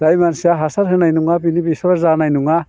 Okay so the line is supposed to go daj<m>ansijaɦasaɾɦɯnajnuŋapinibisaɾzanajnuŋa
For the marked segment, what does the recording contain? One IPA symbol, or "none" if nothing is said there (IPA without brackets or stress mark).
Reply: m